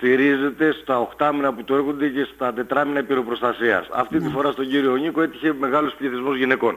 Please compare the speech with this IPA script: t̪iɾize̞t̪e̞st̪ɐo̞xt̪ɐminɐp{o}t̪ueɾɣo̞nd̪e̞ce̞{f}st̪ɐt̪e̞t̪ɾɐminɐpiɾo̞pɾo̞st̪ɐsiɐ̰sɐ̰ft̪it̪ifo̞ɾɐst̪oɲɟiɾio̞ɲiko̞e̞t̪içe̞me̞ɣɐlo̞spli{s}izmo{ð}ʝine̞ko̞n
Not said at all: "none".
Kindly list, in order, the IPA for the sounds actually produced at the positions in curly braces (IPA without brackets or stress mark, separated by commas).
u, none, θ, z